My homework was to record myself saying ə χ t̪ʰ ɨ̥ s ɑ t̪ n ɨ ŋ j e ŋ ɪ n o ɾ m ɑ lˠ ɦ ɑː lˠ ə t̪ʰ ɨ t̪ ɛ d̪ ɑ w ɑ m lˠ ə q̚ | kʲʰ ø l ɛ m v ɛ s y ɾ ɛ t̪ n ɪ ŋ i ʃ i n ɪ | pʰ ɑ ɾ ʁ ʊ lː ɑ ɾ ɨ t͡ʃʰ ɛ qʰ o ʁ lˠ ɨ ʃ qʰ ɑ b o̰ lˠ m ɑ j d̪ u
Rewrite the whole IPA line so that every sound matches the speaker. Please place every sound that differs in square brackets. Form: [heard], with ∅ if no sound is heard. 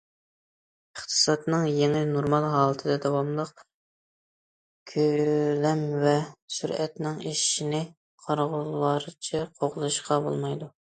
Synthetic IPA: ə χ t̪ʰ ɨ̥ s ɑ t̪ n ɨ ŋ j e ŋ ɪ n o ɾ m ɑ lˠ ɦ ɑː lˠ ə t̪ʰ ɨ [d̪] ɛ d̪ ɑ w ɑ m lˠ ə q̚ | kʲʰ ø l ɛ m v ɛ s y ɾ ɛ t̪ n ɪ ŋ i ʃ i n ɪ | [qʰ] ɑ ɾ ʁ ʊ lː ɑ ɾ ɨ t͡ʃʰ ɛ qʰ o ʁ lˠ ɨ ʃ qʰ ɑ b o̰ lˠ m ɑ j d̪ u